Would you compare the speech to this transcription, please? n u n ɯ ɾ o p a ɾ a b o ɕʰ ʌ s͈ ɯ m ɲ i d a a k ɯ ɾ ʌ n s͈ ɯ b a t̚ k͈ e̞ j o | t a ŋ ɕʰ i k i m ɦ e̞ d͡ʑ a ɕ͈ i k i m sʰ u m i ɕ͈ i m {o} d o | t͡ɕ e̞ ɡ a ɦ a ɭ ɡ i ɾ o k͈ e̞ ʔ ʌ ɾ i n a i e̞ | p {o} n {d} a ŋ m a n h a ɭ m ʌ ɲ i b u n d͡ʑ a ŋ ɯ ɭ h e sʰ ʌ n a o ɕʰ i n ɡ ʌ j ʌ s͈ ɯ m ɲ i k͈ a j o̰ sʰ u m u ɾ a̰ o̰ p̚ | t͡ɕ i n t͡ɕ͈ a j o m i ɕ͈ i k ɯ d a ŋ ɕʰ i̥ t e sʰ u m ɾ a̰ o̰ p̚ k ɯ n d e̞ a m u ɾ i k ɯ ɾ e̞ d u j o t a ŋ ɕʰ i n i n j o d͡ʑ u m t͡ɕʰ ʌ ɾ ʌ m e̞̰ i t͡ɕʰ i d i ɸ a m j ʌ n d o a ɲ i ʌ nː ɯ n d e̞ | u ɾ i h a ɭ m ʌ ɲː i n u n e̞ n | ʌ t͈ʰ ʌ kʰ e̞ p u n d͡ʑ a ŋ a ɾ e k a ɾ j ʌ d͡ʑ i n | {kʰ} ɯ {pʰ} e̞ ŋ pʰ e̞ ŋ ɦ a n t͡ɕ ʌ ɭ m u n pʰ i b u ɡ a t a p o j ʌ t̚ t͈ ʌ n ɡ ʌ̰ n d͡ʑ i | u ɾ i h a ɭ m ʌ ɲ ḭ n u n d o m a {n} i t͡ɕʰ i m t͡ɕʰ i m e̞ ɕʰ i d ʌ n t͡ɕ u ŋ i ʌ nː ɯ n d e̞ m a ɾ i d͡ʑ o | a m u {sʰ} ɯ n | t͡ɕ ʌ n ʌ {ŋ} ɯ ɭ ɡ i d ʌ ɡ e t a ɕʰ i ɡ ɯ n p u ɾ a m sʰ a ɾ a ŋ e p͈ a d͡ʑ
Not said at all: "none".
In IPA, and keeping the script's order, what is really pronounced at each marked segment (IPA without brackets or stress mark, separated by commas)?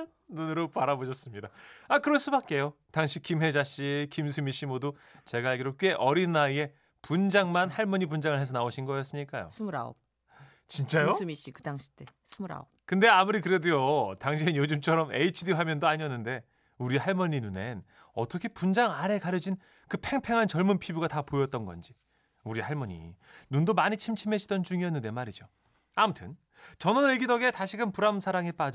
o, u, d͡ʑ, k, pʰ, ɲ, tʰ, n